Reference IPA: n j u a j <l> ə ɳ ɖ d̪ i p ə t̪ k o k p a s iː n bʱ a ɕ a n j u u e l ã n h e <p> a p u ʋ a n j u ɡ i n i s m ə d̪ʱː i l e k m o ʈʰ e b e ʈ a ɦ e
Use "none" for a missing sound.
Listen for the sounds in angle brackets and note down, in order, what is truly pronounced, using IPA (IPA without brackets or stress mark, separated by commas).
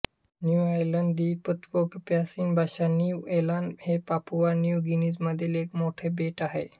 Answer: l, p